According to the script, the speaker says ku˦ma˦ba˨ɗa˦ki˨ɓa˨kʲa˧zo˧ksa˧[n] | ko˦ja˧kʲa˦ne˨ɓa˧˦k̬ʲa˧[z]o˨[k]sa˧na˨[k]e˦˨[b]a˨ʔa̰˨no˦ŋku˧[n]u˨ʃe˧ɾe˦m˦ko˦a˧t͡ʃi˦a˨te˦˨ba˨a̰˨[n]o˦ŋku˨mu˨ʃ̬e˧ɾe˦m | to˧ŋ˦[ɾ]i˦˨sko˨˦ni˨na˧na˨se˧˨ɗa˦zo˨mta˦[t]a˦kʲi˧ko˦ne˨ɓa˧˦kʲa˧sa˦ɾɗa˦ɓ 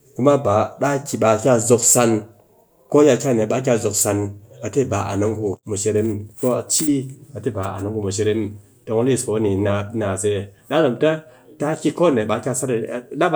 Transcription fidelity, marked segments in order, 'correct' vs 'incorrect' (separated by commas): correct, correct, correct, incorrect, correct, incorrect, correct, incorrect, correct